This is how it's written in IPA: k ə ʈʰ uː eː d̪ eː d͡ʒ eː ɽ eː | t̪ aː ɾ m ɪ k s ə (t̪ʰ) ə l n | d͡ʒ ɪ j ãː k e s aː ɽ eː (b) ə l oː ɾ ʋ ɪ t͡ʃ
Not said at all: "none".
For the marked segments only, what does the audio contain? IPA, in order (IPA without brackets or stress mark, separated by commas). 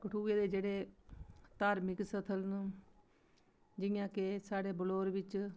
t̪ʰ, b